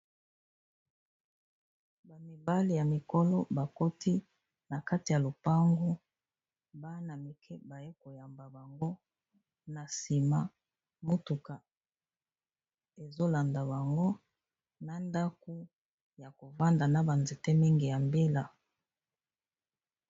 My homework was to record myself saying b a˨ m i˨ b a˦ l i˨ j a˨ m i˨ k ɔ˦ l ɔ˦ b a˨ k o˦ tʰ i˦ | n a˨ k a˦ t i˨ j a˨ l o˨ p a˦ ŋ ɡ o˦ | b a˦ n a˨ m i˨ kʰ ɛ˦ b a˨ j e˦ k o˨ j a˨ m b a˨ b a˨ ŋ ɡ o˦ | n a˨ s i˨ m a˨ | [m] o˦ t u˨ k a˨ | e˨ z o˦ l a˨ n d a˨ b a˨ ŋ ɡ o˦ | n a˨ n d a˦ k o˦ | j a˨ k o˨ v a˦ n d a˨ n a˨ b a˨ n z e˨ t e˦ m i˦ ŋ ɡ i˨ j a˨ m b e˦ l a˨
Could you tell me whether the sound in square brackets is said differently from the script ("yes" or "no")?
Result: no